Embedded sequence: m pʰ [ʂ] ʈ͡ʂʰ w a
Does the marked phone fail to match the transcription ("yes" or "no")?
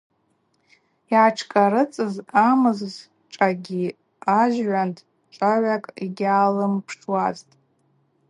no